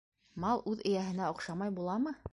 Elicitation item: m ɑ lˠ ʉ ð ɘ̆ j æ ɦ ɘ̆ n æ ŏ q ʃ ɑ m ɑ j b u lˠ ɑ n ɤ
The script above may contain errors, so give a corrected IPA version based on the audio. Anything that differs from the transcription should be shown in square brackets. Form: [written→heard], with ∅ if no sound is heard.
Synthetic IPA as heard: m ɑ lˠ ʉ ð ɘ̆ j æ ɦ ɘ̆ n æ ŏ q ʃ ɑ m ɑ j b u lˠ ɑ [n→m] ɤ